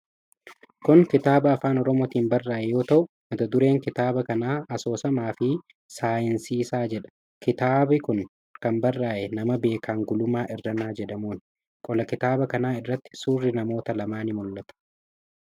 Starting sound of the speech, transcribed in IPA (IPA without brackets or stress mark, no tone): k